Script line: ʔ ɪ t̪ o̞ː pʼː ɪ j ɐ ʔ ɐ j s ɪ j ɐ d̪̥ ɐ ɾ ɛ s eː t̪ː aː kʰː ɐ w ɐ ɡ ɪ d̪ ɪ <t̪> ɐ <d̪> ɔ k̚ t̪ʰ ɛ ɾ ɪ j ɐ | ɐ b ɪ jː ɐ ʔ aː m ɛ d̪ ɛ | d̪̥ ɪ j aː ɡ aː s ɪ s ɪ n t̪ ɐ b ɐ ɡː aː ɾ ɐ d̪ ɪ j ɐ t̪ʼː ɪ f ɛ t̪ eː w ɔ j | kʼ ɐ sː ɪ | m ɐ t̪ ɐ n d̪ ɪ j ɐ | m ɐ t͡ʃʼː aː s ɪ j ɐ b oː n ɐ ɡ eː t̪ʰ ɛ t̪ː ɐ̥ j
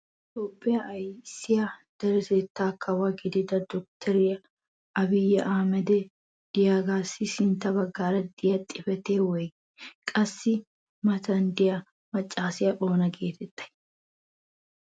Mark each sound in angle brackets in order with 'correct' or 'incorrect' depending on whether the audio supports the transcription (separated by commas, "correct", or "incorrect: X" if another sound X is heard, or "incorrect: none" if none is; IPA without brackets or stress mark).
incorrect: d̪, correct